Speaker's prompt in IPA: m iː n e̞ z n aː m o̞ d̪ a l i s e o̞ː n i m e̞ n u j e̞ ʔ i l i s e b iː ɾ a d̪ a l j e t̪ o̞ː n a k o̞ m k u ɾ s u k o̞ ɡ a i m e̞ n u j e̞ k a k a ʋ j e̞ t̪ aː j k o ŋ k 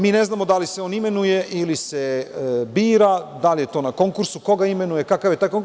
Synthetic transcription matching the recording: m iː n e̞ z n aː m o̞ d̪ a l i s e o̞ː n i m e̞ n u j e̞ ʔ i l i s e b iː ɾ a d̪ a l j e t̪ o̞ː n a k o̞ ŋ k u ɾ s u k o̞ ɡ a i m e̞ n u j e̞ k a k a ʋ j e̞ t̪ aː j k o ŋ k